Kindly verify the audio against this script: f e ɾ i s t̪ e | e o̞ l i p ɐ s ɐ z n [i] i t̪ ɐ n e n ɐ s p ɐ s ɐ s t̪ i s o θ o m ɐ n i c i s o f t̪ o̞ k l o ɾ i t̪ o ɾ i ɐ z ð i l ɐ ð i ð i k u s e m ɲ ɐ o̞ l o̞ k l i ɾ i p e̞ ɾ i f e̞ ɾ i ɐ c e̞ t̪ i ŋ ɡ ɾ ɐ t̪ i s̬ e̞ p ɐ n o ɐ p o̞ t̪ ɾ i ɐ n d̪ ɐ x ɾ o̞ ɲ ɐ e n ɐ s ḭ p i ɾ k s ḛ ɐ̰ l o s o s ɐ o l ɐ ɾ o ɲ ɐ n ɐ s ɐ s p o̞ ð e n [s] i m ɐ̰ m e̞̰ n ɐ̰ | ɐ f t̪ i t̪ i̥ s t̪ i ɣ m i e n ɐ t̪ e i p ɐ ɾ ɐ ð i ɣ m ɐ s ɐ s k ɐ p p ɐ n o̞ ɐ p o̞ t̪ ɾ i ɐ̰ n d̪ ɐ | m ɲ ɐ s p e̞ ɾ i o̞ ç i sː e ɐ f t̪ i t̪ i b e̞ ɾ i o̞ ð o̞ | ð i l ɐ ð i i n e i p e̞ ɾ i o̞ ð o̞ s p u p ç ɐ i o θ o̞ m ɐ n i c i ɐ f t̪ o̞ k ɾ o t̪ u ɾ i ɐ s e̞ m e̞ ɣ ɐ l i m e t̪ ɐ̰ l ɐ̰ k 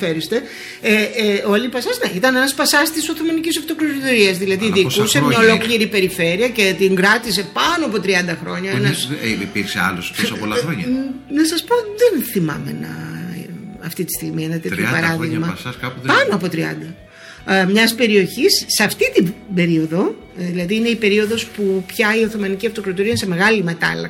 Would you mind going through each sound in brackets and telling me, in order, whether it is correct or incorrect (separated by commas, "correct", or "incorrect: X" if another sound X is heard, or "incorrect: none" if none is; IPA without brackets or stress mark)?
incorrect: e, incorrect: θ